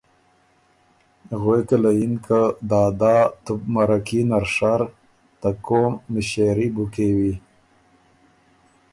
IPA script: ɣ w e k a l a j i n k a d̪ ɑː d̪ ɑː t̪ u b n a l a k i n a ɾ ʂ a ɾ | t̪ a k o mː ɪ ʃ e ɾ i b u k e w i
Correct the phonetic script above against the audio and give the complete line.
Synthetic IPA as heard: ɣ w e k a l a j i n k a d̪ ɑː d̪ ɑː t̪ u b m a ɾ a k i n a ɾ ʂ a ɾ | t̪ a k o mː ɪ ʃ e ɾ i b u k e w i